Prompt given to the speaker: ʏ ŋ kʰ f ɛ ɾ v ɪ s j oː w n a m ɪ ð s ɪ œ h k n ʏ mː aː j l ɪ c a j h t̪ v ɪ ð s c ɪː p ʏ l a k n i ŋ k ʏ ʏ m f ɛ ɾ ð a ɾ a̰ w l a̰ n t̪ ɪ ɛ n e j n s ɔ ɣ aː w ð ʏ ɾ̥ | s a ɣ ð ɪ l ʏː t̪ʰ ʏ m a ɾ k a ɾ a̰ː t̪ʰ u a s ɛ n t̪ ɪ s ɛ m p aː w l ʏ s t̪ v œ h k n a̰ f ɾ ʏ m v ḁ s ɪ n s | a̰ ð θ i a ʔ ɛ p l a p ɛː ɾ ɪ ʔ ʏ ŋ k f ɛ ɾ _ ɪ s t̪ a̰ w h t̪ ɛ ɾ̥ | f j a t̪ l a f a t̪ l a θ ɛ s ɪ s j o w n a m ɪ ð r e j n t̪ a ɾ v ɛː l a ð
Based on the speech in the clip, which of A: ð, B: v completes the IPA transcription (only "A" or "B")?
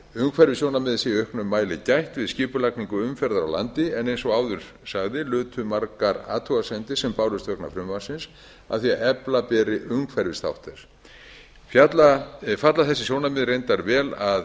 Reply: B